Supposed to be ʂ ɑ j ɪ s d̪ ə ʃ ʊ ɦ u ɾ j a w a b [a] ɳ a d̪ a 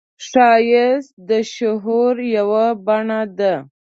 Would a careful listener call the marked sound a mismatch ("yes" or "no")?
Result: no